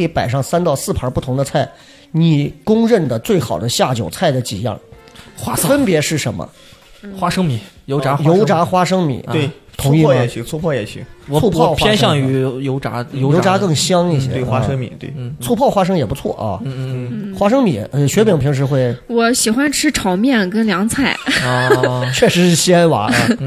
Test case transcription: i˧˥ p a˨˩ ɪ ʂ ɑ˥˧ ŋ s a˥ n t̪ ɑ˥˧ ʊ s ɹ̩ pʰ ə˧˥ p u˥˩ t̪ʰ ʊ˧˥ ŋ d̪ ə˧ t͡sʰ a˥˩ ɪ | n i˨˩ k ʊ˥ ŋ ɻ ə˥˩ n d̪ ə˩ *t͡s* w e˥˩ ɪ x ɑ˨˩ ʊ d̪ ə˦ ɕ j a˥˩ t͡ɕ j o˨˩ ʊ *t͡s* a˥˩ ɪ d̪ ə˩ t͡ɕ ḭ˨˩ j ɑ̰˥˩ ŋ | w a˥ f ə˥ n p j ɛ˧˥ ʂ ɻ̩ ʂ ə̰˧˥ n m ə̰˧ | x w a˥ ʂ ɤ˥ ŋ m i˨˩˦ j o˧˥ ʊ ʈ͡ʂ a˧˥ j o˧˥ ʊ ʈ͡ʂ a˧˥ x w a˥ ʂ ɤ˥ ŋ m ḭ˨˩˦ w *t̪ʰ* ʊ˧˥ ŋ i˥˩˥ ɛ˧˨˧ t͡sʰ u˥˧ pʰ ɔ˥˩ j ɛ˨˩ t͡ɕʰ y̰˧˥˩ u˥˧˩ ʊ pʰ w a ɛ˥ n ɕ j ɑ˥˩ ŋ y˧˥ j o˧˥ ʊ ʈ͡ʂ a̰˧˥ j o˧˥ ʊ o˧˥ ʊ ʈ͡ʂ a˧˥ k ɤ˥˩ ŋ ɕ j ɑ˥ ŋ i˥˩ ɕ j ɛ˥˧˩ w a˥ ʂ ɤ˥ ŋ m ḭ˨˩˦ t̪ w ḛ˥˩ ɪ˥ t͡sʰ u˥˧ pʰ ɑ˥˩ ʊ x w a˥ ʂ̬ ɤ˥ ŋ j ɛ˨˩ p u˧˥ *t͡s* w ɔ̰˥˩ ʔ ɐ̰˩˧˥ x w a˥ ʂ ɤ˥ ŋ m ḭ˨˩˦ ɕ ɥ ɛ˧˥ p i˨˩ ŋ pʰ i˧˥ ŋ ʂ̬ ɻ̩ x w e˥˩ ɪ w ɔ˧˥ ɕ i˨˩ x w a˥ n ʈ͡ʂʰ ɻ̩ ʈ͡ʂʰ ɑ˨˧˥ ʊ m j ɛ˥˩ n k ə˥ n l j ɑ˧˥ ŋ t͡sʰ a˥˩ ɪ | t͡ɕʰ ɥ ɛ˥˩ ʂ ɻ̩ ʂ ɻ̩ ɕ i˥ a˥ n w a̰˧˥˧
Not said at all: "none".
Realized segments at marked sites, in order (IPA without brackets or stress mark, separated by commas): t͡s, t͡sʰ, t̪ʰ, t͡sʰ